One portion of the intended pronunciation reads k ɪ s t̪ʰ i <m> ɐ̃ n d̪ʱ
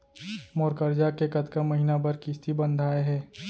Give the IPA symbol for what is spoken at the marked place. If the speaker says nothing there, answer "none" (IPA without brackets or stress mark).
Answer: b